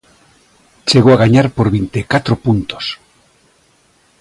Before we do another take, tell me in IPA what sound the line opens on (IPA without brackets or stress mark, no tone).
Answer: t͡ʃ